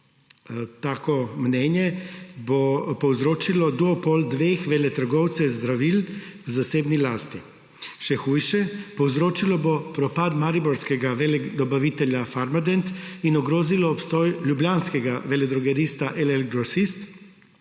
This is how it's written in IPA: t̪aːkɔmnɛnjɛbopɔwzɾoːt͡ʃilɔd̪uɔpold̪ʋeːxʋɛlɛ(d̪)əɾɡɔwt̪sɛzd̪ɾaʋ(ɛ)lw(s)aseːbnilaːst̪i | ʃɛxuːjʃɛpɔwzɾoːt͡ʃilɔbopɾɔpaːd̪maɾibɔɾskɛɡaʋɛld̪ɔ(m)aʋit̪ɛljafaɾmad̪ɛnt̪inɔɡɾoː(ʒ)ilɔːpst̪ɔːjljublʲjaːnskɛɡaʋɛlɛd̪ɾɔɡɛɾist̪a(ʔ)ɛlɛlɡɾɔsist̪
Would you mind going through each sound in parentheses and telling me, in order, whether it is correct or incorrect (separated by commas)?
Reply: incorrect, incorrect, incorrect, incorrect, incorrect, correct